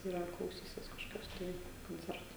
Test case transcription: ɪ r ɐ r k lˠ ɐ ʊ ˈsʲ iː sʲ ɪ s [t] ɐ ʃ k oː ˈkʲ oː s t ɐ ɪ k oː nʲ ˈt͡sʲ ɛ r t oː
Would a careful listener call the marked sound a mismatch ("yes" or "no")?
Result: yes